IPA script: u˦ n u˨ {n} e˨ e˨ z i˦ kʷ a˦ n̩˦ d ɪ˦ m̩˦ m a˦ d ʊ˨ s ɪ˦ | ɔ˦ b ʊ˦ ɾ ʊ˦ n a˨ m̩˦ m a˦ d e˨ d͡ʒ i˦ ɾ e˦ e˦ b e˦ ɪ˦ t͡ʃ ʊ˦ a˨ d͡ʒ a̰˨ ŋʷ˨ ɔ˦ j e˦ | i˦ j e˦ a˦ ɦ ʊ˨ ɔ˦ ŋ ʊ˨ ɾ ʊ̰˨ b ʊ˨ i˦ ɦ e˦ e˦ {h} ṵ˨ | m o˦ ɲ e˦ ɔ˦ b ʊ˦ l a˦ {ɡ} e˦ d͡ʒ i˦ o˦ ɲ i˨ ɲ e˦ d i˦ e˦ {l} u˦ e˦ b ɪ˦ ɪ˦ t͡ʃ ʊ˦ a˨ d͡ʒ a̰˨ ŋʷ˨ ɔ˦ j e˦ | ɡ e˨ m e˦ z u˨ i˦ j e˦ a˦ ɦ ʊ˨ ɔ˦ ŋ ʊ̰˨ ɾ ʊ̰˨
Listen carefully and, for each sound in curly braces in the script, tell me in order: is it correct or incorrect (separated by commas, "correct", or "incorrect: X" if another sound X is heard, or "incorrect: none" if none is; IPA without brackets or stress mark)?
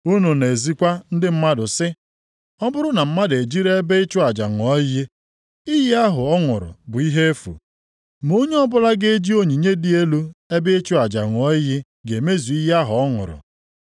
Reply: correct, incorrect: f, correct, correct